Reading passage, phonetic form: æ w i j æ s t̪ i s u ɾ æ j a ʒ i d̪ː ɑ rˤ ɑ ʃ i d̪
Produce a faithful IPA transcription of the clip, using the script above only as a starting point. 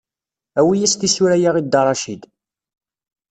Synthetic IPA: æ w i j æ s t̪ i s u ɾ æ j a ʁ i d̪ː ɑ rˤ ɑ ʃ i d̪